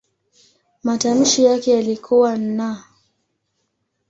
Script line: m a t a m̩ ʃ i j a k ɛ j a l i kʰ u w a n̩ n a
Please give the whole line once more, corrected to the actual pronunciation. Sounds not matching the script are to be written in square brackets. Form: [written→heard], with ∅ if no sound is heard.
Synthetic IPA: m a t a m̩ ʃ i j a k ɛ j a l i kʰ u w a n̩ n a